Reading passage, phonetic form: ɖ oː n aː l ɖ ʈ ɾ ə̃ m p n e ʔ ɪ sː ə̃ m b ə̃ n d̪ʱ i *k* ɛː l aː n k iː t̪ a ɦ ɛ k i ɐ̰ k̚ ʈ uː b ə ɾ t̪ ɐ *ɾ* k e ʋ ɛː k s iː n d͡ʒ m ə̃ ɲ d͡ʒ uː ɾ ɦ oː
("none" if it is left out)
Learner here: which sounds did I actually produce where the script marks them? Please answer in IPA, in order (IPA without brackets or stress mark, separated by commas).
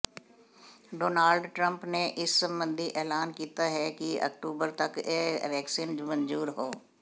ʔ, none